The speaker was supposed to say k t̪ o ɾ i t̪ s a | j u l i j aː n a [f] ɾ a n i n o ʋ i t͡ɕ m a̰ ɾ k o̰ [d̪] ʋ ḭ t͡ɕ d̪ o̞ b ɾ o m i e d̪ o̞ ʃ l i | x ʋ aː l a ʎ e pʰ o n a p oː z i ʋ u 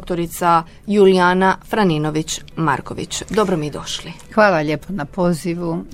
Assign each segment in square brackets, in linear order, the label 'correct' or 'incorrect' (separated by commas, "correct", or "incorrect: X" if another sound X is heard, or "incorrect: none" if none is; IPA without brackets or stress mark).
correct, incorrect: none